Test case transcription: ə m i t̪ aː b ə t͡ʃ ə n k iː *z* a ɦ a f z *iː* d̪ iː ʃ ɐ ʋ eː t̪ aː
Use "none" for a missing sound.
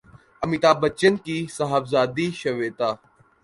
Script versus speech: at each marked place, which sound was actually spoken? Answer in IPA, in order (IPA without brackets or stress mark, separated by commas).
s, aː